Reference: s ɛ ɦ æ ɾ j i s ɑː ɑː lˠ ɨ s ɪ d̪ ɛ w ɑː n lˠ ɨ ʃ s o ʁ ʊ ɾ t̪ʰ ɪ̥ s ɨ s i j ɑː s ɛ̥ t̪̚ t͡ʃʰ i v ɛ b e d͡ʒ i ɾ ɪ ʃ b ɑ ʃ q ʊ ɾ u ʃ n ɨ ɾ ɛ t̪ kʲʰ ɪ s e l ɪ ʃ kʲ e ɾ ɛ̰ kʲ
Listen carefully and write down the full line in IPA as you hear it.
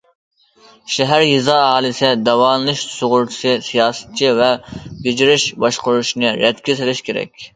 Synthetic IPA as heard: ʃ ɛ ɦ æ ɾ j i z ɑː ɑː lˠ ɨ s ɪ d̪ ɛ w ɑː n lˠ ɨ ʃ s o ʁ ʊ ɾ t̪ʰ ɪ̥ s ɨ s i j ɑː s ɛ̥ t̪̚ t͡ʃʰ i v ɛ b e d͡ʒ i ɾ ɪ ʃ b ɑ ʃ q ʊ ɾ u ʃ n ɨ ɾ ɛ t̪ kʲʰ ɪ s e l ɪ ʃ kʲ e ɾ ɛ̰ kʲ